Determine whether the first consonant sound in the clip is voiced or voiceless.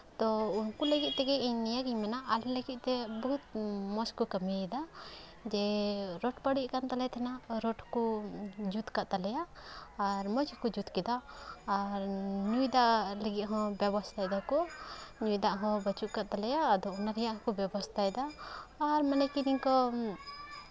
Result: voiceless